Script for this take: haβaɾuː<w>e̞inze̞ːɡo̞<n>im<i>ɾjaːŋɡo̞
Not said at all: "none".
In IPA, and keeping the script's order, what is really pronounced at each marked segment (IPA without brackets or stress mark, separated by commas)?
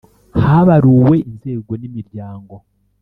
w, n, i